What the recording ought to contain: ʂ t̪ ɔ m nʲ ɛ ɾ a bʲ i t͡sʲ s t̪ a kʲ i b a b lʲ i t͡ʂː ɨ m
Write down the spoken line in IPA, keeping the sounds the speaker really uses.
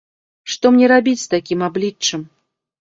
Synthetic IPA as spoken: ʂ t̪ ɔ m nʲ ɛ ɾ a bʲ i t͡sʲ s t̪ a kʲ i m a b lʲ i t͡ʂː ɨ m